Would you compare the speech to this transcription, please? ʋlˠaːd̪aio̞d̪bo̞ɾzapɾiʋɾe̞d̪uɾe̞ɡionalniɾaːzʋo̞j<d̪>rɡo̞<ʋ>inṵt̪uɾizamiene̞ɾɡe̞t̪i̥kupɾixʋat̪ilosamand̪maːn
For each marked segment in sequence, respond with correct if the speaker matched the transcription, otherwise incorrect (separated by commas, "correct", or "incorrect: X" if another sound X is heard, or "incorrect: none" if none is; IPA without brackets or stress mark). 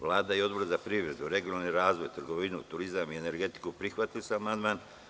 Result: incorrect: t̪, correct